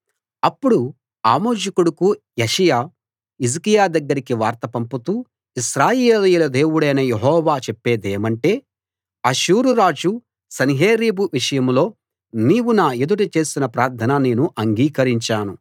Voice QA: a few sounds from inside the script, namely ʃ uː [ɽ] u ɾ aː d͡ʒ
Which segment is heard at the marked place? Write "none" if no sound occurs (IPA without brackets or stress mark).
ɾ